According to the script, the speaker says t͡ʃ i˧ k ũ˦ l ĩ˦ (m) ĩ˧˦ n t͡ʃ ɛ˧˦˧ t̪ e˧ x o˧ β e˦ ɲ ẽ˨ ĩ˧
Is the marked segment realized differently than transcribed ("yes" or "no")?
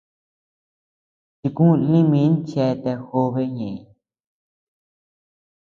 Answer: no